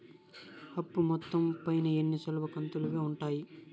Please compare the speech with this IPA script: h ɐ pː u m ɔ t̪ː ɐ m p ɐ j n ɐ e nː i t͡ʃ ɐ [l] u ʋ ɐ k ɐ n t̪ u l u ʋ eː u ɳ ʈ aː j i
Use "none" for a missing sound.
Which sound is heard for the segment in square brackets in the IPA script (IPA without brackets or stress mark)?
l